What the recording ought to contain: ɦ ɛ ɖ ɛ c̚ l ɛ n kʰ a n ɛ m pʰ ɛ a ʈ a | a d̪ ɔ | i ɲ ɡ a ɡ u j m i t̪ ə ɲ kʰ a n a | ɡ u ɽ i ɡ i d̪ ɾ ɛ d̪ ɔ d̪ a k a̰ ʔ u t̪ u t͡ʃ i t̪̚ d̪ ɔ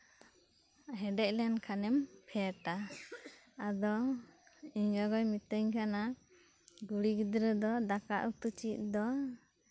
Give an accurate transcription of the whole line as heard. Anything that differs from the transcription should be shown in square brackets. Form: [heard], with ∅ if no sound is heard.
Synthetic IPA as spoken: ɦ ɛ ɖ ɛ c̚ l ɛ n kʰ a n ɛ m pʰ ɛ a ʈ a | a d̪ ɔ | i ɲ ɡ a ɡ [ɔ] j m i t̪ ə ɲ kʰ a n a | ɡ u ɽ i ɡ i d̪ ɾ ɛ d̪ ɔ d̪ a k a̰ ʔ u t̪ u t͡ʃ i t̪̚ d̪ ɔ

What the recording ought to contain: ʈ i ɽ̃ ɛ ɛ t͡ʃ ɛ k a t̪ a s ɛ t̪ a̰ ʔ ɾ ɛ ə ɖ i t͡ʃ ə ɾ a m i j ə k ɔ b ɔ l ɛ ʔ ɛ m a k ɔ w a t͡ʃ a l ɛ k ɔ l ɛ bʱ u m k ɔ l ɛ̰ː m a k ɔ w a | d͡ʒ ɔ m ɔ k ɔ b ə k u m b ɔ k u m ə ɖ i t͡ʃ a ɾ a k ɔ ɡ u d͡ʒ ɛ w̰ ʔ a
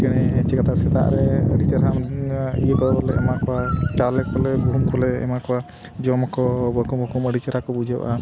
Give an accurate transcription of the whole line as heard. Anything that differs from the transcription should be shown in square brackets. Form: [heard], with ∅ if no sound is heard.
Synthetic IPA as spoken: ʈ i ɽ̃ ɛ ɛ t͡ʃ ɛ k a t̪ a s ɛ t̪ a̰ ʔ ɾ ɛ ə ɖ i t͡ʃ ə ɾ a m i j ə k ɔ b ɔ l ɛ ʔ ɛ m a k ɔ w a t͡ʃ a l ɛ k ɔ l ɛ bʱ u m k ɔ l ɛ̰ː m a k ɔ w a | d͡ʒ ɔ m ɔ k ɔ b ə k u m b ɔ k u m ə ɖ i t͡ʃ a ɾ a k ɔ [b] u d͡ʒ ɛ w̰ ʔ a

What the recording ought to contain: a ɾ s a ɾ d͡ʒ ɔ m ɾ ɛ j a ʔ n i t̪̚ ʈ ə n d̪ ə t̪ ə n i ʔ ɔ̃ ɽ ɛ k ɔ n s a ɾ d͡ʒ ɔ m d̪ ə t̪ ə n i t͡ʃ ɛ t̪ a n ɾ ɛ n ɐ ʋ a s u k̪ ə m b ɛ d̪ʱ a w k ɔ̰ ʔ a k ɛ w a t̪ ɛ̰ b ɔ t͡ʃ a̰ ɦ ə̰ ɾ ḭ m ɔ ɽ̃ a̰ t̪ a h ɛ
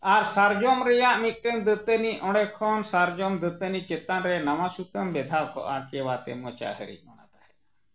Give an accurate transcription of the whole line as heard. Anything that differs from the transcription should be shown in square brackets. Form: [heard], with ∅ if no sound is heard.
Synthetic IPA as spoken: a ɾ s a ɾ d͡ʒ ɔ m ɾ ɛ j a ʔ [m] i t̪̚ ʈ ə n d̪ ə t̪ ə n i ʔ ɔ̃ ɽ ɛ [kʰ] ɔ n s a ɾ d͡ʒ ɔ m d̪ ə t̪ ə n i t͡ʃ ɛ t̪ a n ɾ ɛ n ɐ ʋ a s u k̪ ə m b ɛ d̪ʱ a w k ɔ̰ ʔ a k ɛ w a t̪ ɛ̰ [m] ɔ t͡ʃ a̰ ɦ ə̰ ɾ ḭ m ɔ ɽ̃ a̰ t̪ a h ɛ

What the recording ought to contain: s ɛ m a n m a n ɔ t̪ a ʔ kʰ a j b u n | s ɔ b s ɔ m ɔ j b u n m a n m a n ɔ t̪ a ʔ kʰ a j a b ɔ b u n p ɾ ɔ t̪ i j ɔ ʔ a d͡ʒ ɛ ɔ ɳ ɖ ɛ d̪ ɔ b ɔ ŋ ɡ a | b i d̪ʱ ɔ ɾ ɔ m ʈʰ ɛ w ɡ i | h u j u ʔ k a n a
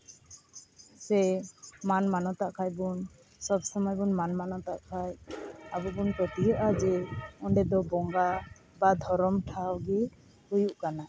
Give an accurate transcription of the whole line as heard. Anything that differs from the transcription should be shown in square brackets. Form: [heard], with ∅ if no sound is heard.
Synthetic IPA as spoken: s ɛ m a n m a n ɔ t̪ a ʔ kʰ a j b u n | s ɔ b s ɔ m ɔ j b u n m a n m a n ɔ t̪ a ʔ kʰ a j a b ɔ b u n p ɾ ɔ t̪ i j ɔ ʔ a d͡ʒ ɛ ɔ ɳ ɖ ɛ d̪ ɔ b ɔ ŋ ɡ a | b [a] d̪ʱ ɔ ɾ ɔ m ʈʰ [a] w ɡ i | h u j u ʔ k a n a

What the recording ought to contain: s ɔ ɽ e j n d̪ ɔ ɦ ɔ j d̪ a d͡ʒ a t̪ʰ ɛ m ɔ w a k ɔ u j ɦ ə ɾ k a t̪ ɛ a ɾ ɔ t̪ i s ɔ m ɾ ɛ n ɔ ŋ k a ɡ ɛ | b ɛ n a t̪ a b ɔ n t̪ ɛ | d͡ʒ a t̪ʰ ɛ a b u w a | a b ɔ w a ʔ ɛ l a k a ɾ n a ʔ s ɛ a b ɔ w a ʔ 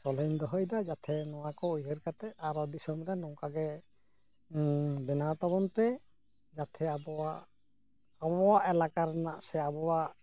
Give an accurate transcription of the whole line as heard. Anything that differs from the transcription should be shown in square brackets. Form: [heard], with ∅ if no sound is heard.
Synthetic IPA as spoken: s ɔ [l] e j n d̪ ɔ ɦ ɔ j d̪ a d͡ʒ a t̪ʰ ɛ [n] ɔ w a k ɔ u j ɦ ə ɾ k a t̪ ɛ a ɾ ɔ [d̪] i s ɔ m ɾ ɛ n ɔ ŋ k a ɡ ɛ | b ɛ n a t̪ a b ɔ n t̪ ɛ | d͡ʒ a t̪ʰ ɛ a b [ɔ] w a | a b ɔ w a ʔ ɛ l a k a ɾ n a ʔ s ɛ a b ɔ w a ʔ

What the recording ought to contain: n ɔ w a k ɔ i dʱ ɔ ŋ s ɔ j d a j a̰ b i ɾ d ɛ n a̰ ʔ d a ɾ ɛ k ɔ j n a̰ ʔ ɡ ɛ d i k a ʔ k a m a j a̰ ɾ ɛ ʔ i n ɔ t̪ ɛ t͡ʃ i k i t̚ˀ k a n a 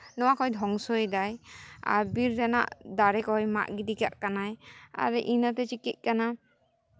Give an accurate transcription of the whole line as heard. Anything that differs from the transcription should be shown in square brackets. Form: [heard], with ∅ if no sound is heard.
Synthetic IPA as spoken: n ɔ w a k ɔ [j] dʱ ɔ ŋ s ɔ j d a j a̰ b i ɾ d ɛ n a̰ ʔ d a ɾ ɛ k ɔ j [m] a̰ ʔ ɡ [i] d i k a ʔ k a [n] a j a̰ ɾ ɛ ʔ i n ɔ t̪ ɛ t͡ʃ i k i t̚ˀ k a n a

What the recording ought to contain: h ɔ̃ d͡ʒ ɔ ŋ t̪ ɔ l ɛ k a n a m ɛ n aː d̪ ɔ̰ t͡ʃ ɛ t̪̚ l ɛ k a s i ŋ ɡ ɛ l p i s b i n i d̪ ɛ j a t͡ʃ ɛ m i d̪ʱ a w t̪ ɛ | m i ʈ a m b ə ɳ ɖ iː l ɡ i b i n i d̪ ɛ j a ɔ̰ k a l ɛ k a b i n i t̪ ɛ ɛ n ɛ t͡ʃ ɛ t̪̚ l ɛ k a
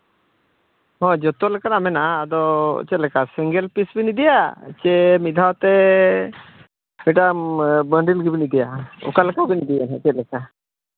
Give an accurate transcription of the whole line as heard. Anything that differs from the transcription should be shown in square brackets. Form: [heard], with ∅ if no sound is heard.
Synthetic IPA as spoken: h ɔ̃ d͡ʒ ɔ [∅] t̪ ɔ l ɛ k a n a m ɛ n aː d̪ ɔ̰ t͡ʃ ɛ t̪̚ l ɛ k a s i ŋ ɡ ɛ l p i s b i n i d̪ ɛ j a t͡ʃ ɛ m i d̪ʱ a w t̪ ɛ | m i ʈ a m b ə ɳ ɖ [i] l ɡ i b i n i d̪ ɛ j a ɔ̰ k a l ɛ k a b i n i [d̪] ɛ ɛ n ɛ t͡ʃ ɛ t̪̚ l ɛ k a

